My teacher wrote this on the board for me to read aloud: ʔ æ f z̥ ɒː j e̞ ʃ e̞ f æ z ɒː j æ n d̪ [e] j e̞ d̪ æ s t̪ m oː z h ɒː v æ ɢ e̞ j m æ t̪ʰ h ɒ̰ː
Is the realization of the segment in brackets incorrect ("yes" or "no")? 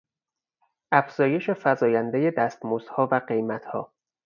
no